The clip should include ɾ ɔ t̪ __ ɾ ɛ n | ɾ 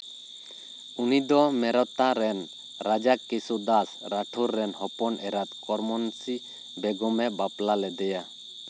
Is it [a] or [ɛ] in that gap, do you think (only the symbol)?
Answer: a